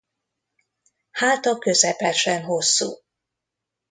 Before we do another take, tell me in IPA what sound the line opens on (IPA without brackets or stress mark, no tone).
h